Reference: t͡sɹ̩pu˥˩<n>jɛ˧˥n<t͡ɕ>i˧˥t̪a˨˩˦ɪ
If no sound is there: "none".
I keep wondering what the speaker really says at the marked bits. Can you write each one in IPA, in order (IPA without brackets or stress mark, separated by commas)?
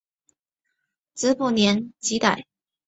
n, t͡ɕ